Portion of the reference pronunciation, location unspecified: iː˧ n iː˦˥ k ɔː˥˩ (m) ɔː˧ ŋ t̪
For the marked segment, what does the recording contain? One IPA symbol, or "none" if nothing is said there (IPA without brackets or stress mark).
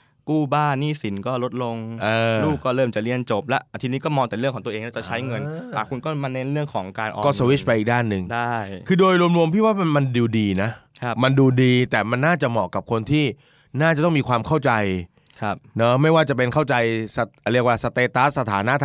m